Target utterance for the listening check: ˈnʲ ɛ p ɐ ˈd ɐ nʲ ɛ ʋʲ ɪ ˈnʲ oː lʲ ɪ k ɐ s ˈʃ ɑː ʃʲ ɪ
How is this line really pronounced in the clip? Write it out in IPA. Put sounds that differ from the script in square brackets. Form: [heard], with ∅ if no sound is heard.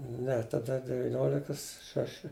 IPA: ˈnʲ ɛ [t] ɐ ˈd ɐ [dʲ] ɛ ʋʲ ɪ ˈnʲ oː lʲ ɪ k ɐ s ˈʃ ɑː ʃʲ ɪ

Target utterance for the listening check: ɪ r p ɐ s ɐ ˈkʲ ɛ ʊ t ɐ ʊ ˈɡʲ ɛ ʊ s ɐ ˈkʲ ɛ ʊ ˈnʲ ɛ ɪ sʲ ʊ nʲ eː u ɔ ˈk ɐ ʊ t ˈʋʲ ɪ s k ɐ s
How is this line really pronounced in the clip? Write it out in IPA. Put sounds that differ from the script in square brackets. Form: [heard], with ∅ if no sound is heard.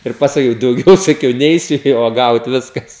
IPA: ɪ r p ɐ s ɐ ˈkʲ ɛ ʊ [d] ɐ ʊ ˈɡʲ ɛ ʊ s ɐ ˈkʲ ɛ ʊ ˈnʲ ɛ ɪ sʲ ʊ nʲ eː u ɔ [ˈɡ] ɐ ʊ t ˈʋʲ ɪ s k ɐ s

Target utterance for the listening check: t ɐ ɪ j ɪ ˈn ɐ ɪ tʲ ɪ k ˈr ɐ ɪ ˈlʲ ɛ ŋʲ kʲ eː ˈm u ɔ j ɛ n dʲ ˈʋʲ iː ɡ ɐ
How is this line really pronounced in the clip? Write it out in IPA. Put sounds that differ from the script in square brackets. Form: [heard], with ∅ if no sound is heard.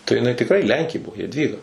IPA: t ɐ ɪ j ɪ ˈn ɐ ɪ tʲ ɪ k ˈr ɐ ɪ ˈlʲ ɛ ŋʲ kʲ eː [ˈb] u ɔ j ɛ [∅] dʲ ˈʋʲ iː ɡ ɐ

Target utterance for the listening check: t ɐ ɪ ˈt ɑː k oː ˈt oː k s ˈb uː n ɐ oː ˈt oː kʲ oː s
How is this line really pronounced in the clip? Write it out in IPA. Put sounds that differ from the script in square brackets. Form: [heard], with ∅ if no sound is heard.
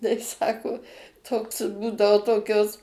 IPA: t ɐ ɪ [ˈs] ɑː k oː ˈt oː k s ˈb uː [d] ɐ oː ˈt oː kʲ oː s

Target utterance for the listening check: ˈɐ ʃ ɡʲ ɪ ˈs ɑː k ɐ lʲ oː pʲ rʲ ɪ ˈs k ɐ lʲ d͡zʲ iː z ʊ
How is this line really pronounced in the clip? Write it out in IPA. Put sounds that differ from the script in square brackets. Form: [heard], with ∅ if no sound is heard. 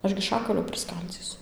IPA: ˈɐ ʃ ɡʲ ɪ [ˈʃ] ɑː k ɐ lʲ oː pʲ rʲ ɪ ˈs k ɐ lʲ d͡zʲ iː [s] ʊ

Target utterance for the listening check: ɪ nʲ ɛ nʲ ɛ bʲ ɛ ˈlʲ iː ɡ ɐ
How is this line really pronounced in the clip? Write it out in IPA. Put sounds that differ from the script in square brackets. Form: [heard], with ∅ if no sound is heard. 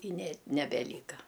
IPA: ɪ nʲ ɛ nʲ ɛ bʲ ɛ ˈlʲ iː [k] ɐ

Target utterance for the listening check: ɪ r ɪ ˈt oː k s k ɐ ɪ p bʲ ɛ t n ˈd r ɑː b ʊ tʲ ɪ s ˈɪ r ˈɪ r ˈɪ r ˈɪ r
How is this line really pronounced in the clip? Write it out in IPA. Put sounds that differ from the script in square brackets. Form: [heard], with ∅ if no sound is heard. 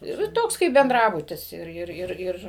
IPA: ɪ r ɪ ˈt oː k s k ɐ ɪ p bʲ ɛ [∅] n ˈd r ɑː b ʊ tʲ ɪ s ˈɪ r ˈɪ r ˈɪ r ˈɪ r

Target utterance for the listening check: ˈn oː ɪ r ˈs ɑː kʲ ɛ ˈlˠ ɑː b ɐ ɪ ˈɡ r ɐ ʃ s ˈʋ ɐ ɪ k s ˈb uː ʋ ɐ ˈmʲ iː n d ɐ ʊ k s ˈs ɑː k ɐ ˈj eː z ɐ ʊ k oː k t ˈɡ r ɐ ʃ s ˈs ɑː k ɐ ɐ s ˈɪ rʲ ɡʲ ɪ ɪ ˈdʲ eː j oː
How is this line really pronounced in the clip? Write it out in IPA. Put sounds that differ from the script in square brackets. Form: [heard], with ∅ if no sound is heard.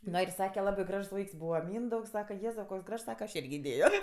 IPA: ˈn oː ɪ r ˈs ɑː kʲ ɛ ˈlˠ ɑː b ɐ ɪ ˈɡ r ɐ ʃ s ˈʋ ɐ ɪ k s ˈb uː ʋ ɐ ˈmʲ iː n d ɐ ʊ k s ˈs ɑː k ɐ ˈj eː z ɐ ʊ k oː k [s] ˈɡ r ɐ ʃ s ˈs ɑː k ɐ ɐ [ʃ] ˈɪ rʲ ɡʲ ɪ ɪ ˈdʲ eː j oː

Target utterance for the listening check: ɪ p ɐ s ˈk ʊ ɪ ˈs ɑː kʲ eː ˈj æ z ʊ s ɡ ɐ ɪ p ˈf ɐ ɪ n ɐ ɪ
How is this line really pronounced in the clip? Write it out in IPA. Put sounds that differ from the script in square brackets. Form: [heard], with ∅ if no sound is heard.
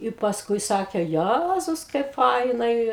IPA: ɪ p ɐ s ˈk ʊ ɪ ˈs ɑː kʲ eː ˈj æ z ʊ s [k] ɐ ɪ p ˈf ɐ ɪ n ɐ ɪ

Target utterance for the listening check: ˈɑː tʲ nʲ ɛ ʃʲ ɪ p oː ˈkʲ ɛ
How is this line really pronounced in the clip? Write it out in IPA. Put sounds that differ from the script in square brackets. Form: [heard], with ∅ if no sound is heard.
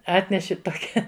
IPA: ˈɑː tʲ nʲ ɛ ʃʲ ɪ [t] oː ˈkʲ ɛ

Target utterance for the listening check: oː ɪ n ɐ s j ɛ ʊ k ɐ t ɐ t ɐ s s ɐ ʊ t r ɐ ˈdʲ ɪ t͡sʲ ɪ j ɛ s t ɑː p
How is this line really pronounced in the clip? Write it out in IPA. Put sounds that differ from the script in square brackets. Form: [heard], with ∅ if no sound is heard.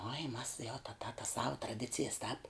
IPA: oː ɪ [m] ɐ s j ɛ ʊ [t] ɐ t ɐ t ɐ s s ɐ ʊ t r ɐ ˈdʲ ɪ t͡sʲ ɪ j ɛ s t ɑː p

